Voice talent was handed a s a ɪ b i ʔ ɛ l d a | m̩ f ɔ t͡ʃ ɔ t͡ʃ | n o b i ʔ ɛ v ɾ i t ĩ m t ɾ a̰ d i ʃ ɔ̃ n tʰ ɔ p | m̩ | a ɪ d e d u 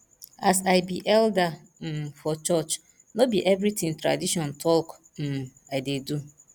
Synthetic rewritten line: a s a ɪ b i ʔ ɛ l d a | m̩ f ɔ t͡ʃ ɔ t͡ʃ | n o b i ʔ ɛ v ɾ i t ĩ ŋ t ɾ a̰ d i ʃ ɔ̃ n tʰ ɔ k | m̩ | a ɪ d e d u